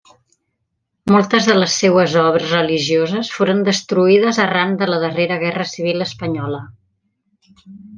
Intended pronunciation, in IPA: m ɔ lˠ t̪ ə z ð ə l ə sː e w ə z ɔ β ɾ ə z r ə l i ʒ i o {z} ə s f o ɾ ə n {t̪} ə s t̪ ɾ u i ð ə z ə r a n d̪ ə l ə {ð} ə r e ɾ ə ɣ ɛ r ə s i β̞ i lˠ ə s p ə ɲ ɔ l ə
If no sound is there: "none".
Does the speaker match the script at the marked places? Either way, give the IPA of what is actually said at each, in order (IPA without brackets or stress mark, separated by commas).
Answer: z, d̪, ð